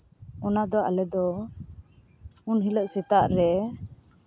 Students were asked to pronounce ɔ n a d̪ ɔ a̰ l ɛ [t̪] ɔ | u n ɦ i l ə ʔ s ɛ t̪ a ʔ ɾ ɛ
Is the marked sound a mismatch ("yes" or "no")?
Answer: yes